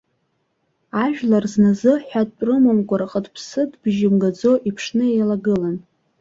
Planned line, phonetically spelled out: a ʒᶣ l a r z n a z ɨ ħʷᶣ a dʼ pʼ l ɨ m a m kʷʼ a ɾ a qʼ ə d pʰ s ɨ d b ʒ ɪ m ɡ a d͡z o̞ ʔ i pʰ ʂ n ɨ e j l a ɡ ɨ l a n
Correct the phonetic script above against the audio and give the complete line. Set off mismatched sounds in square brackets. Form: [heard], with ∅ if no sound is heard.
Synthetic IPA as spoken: a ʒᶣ l a r z n a z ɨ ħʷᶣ a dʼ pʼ [r] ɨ m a m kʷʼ a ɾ a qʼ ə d pʰ s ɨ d b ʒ ɪ m ɡ a d͡z o̞ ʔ i pʰ ʂ n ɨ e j l a ɡ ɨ l a n